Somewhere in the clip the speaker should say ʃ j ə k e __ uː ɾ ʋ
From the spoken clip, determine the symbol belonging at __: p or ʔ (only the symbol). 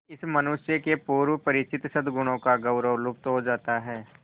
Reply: p